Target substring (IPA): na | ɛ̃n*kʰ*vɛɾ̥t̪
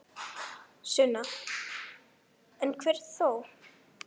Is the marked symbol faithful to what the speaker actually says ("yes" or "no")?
yes